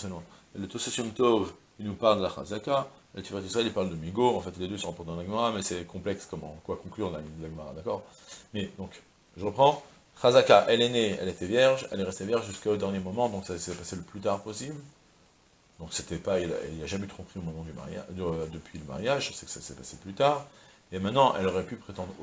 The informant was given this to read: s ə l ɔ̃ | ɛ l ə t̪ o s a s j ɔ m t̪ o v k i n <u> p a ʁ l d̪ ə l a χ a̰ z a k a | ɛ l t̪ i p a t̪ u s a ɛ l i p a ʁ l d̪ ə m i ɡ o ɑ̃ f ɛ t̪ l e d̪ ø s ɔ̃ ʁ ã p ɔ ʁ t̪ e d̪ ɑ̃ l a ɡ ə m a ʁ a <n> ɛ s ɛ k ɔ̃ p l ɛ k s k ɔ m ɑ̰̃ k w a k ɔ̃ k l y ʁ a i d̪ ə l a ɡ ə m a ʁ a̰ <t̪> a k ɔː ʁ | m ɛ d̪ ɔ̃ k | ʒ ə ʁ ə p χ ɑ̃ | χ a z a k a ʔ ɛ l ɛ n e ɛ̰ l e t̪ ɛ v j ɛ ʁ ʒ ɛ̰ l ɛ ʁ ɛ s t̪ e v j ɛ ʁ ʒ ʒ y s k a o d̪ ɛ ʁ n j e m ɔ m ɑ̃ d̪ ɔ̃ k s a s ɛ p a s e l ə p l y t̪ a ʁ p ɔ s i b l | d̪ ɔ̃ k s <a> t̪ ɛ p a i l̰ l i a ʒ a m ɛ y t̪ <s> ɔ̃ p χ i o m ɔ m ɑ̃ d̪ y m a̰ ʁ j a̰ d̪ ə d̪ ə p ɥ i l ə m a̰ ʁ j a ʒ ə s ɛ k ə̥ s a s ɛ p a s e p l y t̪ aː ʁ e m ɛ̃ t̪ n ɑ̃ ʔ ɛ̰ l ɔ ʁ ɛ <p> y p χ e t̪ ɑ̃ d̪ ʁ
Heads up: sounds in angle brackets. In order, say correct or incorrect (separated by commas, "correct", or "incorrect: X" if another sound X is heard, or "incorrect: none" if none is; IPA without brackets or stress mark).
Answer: correct, incorrect: m, incorrect: d̪, incorrect: e, incorrect: χ, correct